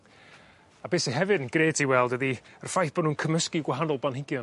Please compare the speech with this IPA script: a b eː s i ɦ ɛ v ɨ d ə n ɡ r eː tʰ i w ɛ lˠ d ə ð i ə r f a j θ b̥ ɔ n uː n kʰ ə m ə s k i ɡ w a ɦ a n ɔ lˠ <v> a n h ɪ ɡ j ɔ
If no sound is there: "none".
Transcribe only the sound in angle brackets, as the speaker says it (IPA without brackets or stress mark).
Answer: b